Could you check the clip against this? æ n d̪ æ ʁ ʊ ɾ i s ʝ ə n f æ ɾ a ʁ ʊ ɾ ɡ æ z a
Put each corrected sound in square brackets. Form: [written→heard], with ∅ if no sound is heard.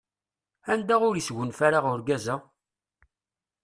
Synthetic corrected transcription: æ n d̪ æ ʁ ʊ ɾ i s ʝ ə n f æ ɾ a ʁ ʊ ɾ ɡ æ z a